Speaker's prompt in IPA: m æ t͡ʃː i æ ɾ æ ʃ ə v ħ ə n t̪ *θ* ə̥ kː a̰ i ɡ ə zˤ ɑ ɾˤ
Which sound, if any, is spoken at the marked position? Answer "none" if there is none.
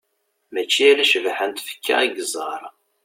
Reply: f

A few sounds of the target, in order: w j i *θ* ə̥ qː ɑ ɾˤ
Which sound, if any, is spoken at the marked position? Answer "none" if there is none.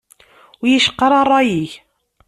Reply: ʃ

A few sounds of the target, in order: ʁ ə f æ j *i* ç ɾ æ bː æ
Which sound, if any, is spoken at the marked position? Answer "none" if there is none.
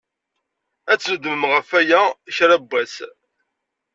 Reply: æ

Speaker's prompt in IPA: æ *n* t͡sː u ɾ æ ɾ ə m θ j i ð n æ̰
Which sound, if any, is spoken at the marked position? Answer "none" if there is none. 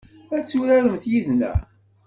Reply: none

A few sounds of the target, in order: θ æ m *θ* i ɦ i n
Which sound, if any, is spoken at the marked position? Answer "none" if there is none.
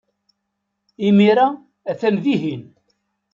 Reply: ð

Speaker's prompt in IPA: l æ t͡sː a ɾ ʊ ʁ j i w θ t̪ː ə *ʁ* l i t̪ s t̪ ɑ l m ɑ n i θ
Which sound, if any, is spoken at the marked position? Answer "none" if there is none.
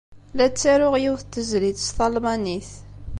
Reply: z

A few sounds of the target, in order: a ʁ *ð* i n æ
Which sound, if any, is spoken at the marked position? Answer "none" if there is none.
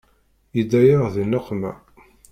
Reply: ð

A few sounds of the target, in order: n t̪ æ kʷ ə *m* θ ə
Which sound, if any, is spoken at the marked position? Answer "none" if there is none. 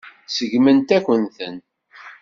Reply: n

